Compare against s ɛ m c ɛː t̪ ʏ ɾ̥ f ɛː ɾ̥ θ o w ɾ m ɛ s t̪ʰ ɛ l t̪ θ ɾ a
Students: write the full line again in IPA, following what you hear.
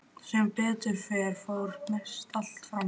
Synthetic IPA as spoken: s ɛ m p ɛː t̪ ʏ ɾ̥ f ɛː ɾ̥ f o w ɾ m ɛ s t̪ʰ a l t̪ f ɾ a